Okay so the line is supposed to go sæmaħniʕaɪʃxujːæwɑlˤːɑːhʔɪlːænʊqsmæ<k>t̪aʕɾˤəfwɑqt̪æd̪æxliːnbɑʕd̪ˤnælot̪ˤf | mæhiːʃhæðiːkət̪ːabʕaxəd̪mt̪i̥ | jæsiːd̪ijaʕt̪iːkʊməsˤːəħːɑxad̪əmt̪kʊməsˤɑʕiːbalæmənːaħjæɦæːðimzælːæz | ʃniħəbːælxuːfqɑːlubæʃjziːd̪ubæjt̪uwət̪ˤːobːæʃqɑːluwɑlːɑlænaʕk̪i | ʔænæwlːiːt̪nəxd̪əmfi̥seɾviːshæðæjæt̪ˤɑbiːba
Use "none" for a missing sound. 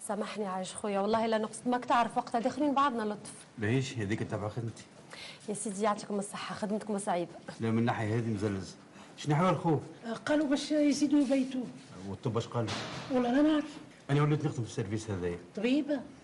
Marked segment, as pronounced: k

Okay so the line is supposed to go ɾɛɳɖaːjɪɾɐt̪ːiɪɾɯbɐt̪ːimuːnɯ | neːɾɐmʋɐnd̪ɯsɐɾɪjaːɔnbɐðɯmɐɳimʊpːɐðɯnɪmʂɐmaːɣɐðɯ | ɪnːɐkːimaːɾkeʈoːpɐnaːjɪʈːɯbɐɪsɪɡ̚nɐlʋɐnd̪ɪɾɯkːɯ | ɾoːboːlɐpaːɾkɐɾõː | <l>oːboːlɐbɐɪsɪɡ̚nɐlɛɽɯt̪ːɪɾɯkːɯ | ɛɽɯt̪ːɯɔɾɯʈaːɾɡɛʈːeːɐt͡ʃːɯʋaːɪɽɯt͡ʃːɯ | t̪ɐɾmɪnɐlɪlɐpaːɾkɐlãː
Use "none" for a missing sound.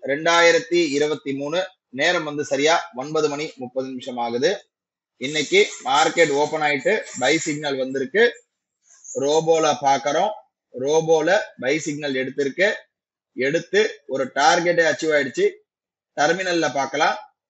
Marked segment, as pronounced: ɾ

